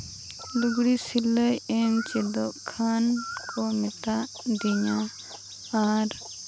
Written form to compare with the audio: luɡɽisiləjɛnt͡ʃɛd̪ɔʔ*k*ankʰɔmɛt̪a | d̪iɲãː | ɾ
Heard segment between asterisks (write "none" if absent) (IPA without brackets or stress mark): kʰ